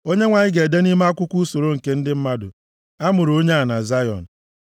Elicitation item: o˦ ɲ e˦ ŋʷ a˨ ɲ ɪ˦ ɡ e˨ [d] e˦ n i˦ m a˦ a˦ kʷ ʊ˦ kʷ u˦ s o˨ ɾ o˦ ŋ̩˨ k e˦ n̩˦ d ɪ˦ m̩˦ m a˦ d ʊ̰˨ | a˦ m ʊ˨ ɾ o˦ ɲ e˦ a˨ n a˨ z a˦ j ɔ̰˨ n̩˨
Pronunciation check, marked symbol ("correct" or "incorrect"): correct